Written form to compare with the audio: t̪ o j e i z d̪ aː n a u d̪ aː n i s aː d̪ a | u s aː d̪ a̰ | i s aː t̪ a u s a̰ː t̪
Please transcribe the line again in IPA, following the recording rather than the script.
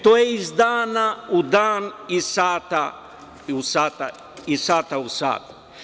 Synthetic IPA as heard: t̪ o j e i z d̪ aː n a u d̪ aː n i s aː t̪ a | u s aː t̪ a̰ | i s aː t̪ a u s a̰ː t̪